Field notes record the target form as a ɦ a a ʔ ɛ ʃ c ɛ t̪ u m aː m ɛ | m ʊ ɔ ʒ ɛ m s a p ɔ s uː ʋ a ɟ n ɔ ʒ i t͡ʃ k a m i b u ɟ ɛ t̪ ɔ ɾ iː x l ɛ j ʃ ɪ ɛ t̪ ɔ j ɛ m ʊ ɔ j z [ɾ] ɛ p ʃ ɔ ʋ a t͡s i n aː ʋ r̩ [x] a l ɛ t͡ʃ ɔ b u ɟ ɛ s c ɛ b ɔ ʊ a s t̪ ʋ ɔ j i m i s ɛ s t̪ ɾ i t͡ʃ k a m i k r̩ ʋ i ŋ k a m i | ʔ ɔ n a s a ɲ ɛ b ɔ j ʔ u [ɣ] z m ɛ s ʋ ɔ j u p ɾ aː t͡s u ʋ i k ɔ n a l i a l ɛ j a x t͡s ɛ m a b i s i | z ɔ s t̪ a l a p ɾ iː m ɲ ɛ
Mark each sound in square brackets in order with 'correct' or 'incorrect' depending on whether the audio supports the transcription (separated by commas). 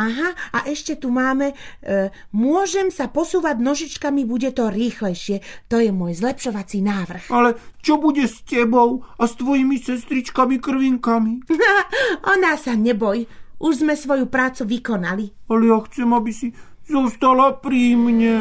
incorrect, correct, incorrect